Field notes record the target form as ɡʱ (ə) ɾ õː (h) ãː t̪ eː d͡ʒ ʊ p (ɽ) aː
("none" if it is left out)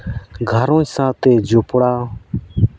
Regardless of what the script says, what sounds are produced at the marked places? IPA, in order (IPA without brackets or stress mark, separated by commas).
ə, s, ɽ